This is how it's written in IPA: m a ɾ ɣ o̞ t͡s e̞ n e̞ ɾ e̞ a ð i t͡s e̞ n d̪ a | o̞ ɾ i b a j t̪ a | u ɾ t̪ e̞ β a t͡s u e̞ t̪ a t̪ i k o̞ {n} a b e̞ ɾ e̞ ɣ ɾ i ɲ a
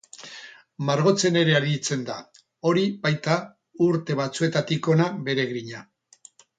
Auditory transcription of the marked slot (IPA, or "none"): n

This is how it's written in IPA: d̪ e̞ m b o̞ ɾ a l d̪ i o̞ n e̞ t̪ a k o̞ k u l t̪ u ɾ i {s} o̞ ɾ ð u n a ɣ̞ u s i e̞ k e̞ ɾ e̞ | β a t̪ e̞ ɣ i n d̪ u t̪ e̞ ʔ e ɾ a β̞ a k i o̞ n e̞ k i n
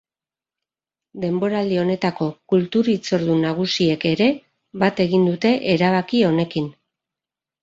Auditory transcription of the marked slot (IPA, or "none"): t͡s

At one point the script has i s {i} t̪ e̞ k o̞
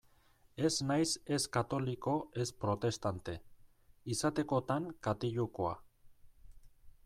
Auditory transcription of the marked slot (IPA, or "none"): a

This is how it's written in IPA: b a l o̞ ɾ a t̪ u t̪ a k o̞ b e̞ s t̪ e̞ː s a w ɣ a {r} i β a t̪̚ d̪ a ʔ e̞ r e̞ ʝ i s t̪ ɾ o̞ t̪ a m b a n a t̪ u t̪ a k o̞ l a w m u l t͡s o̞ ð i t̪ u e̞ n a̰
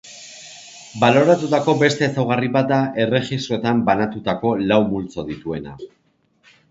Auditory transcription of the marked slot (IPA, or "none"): r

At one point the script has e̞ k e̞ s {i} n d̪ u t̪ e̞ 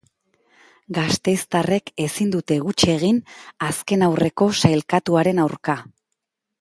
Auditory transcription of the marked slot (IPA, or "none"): i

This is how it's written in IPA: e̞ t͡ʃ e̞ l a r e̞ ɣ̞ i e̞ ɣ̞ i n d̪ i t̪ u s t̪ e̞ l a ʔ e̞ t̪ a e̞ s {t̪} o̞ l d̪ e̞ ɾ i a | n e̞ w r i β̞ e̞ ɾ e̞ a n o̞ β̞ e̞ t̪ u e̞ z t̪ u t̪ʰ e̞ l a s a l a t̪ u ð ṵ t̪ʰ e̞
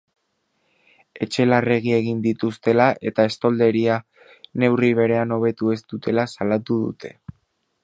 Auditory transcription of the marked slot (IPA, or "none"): t̪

